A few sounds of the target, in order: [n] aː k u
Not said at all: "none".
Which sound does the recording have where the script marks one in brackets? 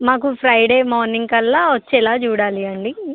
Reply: m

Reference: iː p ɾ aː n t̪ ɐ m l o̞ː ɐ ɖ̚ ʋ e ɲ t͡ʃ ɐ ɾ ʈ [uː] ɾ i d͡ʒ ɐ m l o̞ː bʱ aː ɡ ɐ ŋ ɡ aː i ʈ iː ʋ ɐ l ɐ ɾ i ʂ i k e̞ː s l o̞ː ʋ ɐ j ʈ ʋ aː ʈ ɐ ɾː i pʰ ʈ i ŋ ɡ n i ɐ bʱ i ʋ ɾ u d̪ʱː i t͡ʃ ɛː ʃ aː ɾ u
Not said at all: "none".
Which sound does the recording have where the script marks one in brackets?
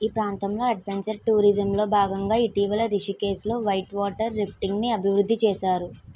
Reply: uː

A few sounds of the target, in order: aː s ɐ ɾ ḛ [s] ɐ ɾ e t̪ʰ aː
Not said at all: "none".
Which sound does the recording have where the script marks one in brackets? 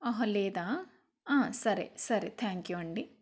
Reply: s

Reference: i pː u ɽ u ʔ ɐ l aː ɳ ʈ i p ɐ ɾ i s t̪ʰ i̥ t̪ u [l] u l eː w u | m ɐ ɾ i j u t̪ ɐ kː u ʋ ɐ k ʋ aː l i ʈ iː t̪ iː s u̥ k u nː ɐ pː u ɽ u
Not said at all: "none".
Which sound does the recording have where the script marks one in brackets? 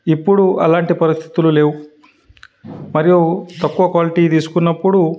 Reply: l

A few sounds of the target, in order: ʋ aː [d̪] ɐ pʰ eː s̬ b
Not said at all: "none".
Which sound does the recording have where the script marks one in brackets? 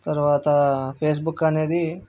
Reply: t̪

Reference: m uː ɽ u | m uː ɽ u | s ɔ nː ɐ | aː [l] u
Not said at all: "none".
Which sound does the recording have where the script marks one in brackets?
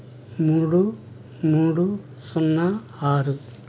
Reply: ɾ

